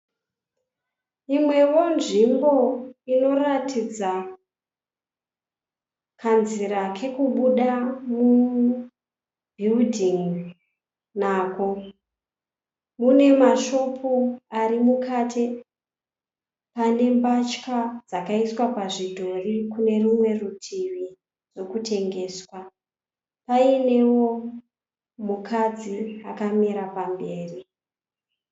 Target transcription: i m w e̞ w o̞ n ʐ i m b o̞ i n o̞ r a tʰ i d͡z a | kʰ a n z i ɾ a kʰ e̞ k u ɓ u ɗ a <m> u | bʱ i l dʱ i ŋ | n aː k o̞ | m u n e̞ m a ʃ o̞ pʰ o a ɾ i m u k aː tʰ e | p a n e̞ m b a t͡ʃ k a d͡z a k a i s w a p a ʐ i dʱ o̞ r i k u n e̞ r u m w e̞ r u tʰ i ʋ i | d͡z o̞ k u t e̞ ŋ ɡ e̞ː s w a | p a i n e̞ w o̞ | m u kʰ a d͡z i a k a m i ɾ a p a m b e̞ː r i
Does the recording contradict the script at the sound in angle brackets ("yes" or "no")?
no